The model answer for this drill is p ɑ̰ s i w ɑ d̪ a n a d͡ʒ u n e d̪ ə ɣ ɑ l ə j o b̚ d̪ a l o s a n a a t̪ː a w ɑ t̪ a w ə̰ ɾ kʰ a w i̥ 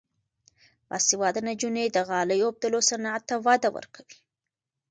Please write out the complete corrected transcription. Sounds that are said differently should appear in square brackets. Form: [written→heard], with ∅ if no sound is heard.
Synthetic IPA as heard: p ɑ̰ s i w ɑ d̪ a n a d͡ʒ u n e d̪ ə ɣ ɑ l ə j o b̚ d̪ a l o s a n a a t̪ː a w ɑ [t̪→d̪] a w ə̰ ɾ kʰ a w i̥